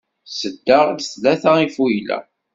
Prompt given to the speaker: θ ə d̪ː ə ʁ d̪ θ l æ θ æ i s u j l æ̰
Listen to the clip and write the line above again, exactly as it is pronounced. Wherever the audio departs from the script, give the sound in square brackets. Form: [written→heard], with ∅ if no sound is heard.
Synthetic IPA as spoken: [θ→s] ə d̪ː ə ʁ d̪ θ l æ θ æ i [s→f] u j l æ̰